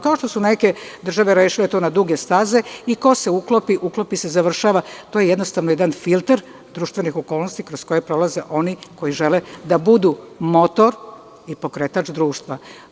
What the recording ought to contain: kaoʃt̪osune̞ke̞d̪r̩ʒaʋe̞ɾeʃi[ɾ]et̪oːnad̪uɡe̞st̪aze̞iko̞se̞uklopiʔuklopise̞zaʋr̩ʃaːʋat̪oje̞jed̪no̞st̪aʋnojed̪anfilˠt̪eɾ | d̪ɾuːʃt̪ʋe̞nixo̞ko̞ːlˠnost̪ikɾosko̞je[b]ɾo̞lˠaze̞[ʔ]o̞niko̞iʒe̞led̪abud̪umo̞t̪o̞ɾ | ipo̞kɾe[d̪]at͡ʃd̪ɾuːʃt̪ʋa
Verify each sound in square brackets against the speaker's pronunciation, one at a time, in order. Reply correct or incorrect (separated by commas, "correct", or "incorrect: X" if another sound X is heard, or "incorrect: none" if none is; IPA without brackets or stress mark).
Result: incorrect: l, incorrect: p, correct, incorrect: t̪